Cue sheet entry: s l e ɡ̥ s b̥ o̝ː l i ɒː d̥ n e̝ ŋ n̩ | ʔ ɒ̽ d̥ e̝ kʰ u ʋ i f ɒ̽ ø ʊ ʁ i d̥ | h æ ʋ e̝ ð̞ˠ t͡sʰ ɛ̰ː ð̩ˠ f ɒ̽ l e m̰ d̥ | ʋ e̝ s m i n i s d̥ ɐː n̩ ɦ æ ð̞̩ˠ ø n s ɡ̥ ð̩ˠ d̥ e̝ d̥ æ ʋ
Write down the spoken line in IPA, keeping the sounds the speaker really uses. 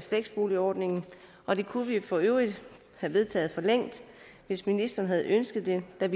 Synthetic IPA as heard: f l e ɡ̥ s b̥ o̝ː l i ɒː d̥ n e̝ ŋ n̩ | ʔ ɒ̽ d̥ e̝ kʰ u ʋ i f ɒ̽ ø ʊ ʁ i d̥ | h æ ʋ e̝ ð̞ˠ t͡sʰ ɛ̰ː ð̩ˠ f ɒ̽ l e ŋ̰ d̥ | ʋ e̝ s m i n i s d̥ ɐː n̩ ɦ æ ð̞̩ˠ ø n s ɡ̥ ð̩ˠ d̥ e̝ d̥ æ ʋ

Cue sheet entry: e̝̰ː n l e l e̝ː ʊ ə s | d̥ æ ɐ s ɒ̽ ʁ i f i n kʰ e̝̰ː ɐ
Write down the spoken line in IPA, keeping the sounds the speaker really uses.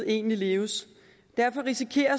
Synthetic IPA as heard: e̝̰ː n l i l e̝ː ʊ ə s | d̥ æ ɐ f ɒ̽ ʁ i s i kʰ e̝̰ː ɐ

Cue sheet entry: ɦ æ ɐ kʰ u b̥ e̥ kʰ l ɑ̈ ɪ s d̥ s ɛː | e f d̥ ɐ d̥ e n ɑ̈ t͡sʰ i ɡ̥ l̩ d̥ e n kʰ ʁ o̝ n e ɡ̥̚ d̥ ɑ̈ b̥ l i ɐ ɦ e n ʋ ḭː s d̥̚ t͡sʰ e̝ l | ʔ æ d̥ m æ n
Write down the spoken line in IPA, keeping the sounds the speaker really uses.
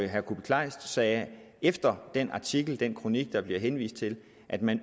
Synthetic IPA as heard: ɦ æ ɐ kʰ u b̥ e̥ kʰ l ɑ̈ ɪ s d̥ s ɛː | e f d̥ ɐ d̥ e n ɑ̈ t͡sʰ i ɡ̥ l̩ d̥ e n kʰ ʁ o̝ n i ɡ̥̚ d̥ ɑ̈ b̥ l i ɐ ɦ e n ʋ ḭː s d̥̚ t͡sʰ e̝ l | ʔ æ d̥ m æ n

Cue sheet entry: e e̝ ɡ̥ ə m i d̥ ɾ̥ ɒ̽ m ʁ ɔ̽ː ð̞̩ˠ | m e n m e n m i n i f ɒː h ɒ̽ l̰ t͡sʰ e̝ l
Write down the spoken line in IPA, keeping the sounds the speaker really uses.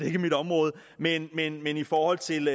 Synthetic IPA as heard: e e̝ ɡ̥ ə m i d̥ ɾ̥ ɒ̽ m ʁ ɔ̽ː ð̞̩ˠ | m e n m e n m e n i f ɒː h ɒ̽ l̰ t͡sʰ e̝ l

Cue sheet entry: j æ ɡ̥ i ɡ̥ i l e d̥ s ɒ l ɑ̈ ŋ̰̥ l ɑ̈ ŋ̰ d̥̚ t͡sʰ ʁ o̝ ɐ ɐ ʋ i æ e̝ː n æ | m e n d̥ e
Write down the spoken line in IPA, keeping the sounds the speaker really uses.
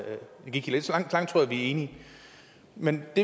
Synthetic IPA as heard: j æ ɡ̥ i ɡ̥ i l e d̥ s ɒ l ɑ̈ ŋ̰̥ l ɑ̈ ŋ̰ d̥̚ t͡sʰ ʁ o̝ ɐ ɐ ʋ i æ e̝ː n i | m e n d̥ e

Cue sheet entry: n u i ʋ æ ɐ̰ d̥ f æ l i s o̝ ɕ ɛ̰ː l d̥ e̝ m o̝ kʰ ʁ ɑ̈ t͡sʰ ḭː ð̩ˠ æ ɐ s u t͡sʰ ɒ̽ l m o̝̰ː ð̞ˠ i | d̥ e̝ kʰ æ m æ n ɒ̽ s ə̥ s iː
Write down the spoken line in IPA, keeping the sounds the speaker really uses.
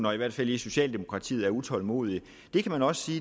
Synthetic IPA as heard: n ɒ i ʋ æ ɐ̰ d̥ f æ l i s o̝ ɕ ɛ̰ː l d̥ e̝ m o̝ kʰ ʁ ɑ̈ t͡sʰ ḭː ð̩ˠ æ ɐ u t͡sʰ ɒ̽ l m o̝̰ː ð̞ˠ i | d̥ e̝ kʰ æ m æ n ɒ̽ s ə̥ s iː

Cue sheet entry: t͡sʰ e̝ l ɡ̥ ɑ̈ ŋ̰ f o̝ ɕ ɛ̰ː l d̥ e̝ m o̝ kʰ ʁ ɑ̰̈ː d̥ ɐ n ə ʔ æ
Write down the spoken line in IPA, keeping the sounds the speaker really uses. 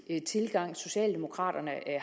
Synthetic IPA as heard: t͡sʰ e̝ l ɡ̥ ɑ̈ ŋ̰ s o̝ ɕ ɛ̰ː l d̥ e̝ m o̝ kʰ ʁ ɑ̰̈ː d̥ ɐ n ə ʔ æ

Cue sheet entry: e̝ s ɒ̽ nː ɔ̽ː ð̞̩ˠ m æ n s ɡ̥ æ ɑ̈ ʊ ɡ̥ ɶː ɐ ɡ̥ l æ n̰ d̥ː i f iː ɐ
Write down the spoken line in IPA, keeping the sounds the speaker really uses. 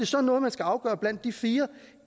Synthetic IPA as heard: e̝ s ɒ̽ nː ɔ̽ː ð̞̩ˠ m æ n s ɡ̥ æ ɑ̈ ʊ ɡ̥ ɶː ɐ b̥ l æ n̰ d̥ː i f iː ɐ

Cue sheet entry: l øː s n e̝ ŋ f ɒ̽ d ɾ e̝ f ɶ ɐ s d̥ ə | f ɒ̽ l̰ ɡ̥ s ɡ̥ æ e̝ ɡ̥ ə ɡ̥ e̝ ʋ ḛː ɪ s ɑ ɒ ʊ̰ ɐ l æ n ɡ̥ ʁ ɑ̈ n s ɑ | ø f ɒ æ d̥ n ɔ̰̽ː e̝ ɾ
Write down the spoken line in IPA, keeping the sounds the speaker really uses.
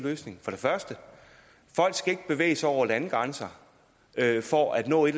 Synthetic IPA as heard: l øː s n e̝ ŋ f ɒ̽ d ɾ e̝ f ɶ ɐ s d̥ ə | f ɒ̽ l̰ ɡ̥ s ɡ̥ æ e̝ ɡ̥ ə b̥ e̝ ʋ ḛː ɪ s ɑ ɒ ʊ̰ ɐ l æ n ɡ̥ ʁ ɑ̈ n s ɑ | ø f ɒ æ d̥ n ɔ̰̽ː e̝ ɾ

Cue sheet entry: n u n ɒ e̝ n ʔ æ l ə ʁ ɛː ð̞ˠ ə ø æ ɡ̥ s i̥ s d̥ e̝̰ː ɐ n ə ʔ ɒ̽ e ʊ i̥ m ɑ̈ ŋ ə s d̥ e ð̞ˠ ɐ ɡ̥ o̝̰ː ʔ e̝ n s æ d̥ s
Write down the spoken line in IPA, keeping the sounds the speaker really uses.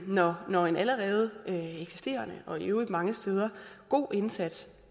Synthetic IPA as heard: n ɒ n ɒ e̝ n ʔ æ l ə ʁ ɛː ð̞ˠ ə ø e ɡ̥ s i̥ s d̥ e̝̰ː ɐ n ə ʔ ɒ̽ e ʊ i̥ m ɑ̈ ŋ ə s d̥ e ð̞ˠ ɐ ɡ̥ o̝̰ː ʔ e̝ n s æ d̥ s

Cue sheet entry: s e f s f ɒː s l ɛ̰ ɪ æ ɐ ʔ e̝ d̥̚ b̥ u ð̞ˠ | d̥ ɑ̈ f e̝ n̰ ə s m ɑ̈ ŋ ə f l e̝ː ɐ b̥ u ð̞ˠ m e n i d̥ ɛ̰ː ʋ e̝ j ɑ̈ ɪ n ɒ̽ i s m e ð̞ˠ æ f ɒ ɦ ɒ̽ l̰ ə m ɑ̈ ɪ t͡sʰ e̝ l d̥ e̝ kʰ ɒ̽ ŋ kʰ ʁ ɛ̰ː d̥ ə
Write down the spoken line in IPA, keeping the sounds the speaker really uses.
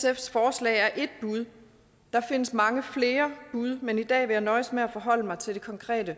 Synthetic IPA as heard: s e f s f ɒː s l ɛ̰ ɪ æ ɐ ʔ e̝ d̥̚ b̥ u ð̞ˠ | d̥ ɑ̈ f e̝ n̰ ə s m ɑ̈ ŋ ə f l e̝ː ɐ b̥ u ð̞ˠ m e n i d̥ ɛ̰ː ʋ e̝ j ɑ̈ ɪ n ɒ̽ ɪ s m e æ f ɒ ɦ ɒ̽ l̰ ə m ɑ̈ ɪ t͡sʰ e̝ l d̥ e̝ kʰ ɒ̽ ŋ kʰ ʁ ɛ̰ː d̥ ə

